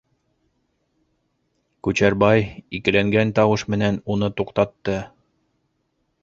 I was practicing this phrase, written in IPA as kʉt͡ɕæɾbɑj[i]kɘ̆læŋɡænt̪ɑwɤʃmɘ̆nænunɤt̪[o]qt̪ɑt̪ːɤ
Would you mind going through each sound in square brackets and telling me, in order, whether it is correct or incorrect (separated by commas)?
correct, incorrect